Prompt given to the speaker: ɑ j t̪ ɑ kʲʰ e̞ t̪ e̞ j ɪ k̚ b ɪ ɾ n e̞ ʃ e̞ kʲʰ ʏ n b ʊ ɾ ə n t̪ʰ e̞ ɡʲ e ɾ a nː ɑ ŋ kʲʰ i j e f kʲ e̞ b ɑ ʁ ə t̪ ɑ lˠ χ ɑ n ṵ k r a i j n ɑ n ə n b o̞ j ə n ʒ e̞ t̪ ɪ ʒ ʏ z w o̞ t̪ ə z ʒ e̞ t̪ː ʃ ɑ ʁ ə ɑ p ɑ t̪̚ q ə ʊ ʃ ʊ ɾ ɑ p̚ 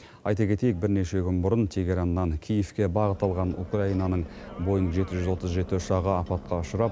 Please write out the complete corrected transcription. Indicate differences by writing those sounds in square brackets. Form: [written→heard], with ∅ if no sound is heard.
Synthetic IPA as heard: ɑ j t̪ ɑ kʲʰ e̞ t̪ e̞ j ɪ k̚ b ɪ ɾ n e̞ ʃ e̞ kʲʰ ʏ n b ʊ ɾ ə n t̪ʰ e̞ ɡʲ e ɾ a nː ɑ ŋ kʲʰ i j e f kʲ e̞ b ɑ ʁ ə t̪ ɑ lˠ [χ→ʁ] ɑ n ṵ k r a i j n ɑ n ə [n→ɴ] b o̞ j ə n ʒ e̞ t̪ ɪ ʒ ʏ z w o̞ t̪ ə z ʒ e̞ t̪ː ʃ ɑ ʁ ə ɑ p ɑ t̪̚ q [ə→ɑ] ʊ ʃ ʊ ɾ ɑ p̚